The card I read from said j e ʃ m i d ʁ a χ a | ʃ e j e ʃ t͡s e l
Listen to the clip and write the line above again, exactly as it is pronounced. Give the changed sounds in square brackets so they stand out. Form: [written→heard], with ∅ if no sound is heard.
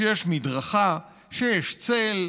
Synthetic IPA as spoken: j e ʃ m i d ʁ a χ a | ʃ e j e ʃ t͡s e l

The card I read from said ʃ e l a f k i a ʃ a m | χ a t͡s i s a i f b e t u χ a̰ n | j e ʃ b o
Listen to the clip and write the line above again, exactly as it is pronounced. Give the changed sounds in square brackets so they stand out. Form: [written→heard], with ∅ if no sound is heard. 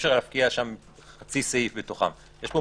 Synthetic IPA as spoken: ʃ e l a f k i a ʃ a m | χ a t͡s i s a i f b e t [u→o] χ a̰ [n→m] | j e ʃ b o

